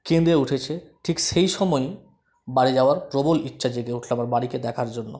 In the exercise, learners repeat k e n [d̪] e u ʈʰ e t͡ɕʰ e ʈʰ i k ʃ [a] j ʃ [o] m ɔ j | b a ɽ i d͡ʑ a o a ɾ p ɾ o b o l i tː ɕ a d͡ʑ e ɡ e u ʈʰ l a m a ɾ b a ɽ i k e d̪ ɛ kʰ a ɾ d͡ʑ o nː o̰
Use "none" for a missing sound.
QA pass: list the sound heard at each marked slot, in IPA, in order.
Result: d̪, e, ɔ

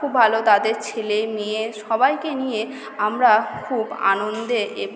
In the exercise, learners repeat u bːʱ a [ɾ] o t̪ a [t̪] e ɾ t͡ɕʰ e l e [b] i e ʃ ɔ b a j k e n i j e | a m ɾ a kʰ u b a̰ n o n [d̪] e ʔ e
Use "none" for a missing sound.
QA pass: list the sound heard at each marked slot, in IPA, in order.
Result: l, d̪, m, d̪

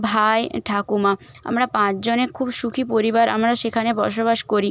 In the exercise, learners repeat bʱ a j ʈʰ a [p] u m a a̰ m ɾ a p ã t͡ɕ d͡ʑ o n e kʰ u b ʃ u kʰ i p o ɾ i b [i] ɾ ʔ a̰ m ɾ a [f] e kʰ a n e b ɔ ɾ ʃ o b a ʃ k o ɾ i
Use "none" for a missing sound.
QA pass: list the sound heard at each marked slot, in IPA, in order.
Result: k, a, ʃ

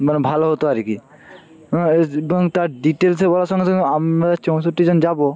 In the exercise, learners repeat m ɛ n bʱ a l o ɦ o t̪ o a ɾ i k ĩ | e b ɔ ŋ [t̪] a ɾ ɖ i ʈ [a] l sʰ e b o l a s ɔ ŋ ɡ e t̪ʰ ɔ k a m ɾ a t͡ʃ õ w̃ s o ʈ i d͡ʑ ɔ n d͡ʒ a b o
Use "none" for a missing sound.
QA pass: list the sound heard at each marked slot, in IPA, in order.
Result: t̪, e

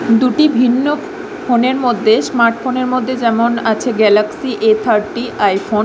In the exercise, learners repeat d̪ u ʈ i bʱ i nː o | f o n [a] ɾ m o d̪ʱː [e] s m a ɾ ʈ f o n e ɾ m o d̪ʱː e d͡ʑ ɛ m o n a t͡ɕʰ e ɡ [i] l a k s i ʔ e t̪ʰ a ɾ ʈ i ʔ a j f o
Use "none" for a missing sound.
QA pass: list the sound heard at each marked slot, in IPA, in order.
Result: e, e, ɛ

